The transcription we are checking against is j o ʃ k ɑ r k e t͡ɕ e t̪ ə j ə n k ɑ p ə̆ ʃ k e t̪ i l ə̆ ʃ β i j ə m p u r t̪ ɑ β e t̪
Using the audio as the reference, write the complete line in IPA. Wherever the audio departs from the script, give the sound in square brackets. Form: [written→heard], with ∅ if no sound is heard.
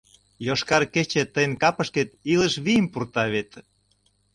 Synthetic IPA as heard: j o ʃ k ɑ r k e t͡ɕ e t̪ ə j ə n k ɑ p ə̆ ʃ k e t̪ i l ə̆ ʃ β i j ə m p u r t̪ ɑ β e t̪

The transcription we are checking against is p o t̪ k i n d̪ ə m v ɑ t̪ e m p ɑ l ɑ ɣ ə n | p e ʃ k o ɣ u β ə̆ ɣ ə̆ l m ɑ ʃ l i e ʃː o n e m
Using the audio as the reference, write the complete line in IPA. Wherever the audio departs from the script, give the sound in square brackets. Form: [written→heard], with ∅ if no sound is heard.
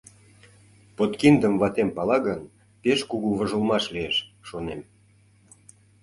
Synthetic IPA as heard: p o t̪ k i n d̪ ə m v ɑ t̪ e m p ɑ l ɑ ɣ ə n | p e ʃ k [o→u] ɣ u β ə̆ [ɣ→ʒ] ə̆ l m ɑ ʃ l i e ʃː o n e m

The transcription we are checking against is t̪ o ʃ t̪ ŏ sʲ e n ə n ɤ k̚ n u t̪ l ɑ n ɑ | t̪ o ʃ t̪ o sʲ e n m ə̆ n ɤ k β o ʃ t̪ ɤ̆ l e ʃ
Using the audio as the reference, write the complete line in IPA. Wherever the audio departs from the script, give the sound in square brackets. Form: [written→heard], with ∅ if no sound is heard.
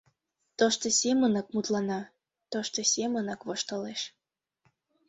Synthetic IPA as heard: t̪ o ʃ t̪ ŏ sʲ e [n→m] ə n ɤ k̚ [n→m] u t̪ l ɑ n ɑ | t̪ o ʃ t̪ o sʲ e [n→∅] m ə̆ n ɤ k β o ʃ t̪ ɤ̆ l e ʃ

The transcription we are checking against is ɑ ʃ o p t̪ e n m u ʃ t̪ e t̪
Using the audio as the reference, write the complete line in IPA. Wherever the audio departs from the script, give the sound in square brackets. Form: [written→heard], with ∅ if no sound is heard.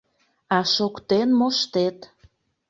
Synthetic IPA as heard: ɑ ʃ o [p→k] t̪ e n m [u→o] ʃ t̪ e t̪

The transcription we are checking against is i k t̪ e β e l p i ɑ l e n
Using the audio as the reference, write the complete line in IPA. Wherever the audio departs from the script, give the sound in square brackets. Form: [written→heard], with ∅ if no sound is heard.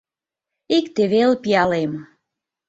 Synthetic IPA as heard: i k t̪ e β e l p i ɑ l e [n→m]

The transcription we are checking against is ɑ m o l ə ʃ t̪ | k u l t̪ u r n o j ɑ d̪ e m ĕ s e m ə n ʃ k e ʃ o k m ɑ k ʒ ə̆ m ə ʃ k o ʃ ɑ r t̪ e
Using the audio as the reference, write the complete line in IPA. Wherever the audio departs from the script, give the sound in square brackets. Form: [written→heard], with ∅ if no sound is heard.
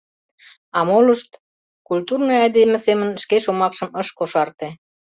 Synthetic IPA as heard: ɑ m o l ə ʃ t̪ | k u l t̪ u r n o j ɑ d̪ e m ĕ s e m ə n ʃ k e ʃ o [k→∅] m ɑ k [ʒ→ʃ] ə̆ m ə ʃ k o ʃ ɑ r t̪ e

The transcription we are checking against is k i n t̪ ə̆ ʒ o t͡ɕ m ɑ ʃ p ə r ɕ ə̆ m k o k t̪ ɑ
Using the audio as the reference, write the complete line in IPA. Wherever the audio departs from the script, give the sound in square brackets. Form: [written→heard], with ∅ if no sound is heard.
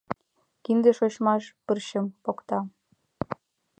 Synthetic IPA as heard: k i n [t̪→d̪] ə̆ [ʒ→ʃ] o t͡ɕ m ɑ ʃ p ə r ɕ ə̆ m [k→p] o k t̪ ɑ

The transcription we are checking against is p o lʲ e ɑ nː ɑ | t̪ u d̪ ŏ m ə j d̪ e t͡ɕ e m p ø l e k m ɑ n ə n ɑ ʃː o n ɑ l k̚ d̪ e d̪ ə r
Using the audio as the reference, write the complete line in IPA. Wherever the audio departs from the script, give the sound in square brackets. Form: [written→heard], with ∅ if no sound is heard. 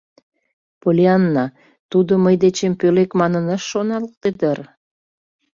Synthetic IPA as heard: p o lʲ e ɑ nː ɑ | t̪ u d̪ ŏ m ə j d̪ e t͡ɕ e m p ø l e k m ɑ n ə n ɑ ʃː o n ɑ l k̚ [d̪→t̪] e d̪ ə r

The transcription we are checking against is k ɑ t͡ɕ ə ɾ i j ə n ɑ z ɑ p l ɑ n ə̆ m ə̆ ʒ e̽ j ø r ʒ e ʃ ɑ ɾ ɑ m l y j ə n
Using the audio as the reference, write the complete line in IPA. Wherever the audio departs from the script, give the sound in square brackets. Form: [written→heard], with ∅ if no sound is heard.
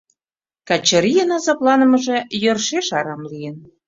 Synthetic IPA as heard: k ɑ t͡ɕ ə ɾ i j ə n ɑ z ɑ p l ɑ n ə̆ m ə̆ ʒ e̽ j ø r [ʒ→ʃ] e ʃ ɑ ɾ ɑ m l [y→i] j ə n

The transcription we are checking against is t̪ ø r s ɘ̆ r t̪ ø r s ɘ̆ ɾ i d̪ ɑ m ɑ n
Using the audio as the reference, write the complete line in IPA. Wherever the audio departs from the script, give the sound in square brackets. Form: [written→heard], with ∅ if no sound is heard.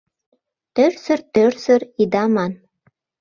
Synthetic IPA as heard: t̪ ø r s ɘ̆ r t̪ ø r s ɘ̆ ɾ i d̪ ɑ m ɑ n

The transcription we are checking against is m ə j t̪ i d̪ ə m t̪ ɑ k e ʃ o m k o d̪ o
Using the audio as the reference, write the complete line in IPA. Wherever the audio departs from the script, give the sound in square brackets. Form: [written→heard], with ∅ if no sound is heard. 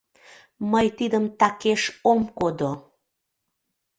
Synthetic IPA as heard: m ə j t̪ i d̪ ə m t̪ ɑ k e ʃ o m k o d̪ o

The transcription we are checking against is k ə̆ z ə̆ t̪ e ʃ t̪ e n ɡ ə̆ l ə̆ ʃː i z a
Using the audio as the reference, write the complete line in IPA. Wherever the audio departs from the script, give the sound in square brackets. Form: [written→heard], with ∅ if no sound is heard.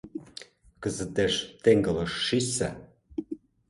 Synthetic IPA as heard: k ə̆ z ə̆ t̪ e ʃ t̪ e [n→ŋ] ɡ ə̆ l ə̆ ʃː i [z→s] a

